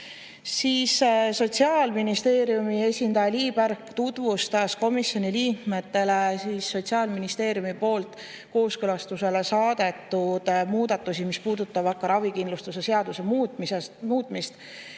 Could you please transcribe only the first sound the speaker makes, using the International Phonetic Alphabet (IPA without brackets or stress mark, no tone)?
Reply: s